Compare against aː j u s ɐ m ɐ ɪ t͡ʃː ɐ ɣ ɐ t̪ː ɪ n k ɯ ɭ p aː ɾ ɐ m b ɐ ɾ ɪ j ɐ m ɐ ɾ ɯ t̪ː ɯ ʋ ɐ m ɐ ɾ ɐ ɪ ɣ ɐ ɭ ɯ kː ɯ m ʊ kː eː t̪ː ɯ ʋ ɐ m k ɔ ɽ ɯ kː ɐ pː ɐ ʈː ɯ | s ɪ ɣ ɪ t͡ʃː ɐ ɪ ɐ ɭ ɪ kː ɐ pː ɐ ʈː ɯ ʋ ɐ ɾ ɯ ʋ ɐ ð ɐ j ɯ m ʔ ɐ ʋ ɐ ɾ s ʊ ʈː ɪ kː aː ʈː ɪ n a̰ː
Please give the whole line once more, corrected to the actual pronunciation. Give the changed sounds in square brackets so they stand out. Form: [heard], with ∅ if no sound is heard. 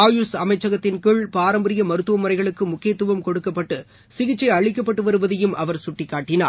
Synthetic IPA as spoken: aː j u s ɐ m ɐ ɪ t͡ʃː ɐ ɣ ɐ t̪ː ɪ n k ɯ ɭ p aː ɾ ɐ m b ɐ ɾ ɪ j ɐ m ɐ ɾ ɯ t̪ː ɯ ʋ ɐ m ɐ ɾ ɐ ɪ ɣ ɐ ɭ ɯ kː ɯ m ʊ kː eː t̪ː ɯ ʋ ɐ m k ɔ ɽ ɯ kː ɐ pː ɐ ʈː ɯ | s ɪ ɣ ɪ t͡ʃː ɐ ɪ ɐ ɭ ɪ kː ɐ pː ɐ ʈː ɯ ʋ ɐ ɾ ɯ ʋ ɐ ð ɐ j ɯ m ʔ ɐ ʋ ɐ ɾ s ʊ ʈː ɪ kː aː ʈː ɪ n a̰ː